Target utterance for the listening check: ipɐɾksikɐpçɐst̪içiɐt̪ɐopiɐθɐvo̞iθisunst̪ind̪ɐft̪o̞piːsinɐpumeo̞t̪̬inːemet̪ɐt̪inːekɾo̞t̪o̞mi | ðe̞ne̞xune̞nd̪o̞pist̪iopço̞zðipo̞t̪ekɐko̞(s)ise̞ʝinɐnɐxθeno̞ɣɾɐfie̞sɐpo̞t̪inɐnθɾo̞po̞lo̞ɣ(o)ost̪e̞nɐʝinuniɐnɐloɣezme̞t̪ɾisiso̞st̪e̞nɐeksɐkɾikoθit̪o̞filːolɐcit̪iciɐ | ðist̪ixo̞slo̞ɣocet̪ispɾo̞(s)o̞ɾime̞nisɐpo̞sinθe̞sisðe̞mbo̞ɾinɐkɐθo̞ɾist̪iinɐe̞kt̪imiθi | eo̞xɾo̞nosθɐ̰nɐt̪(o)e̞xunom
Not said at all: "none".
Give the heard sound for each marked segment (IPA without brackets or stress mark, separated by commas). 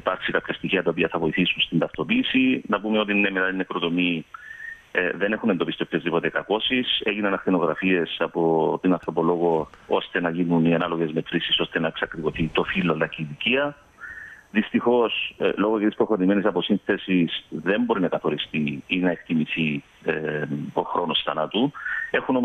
s, o, x, u